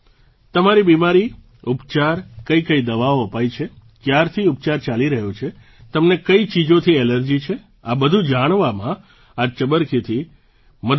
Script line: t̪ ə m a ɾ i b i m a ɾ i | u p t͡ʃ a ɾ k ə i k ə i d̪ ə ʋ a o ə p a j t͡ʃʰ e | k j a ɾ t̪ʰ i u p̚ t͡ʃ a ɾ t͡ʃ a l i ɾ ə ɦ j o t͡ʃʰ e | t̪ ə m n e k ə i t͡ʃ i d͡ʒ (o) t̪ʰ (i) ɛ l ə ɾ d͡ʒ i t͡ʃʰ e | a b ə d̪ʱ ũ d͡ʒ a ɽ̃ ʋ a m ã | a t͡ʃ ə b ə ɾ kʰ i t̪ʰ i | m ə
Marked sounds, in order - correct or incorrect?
correct, correct

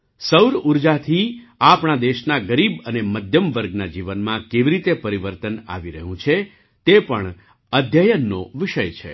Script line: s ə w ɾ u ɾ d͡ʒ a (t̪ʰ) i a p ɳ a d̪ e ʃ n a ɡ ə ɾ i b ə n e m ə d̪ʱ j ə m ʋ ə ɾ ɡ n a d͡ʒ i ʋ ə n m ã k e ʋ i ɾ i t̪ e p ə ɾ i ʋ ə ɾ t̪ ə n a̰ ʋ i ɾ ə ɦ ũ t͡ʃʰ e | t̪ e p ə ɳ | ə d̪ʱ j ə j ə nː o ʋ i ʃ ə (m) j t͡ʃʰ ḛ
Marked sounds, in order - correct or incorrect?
correct, incorrect: none

